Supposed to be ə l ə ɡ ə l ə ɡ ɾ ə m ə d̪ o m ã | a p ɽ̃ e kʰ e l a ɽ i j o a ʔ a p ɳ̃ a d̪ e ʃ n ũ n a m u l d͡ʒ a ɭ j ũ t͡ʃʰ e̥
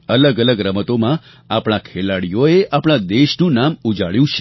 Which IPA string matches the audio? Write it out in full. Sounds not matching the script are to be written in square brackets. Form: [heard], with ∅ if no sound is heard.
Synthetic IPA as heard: ə l ə ɡ ə l ə ɡ ɾ ə m ə [t̪] o m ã | a p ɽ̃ [a] kʰ e l a ɽ i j o [e] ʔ a p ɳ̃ a d̪ e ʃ n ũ n a m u [∅] d͡ʒ a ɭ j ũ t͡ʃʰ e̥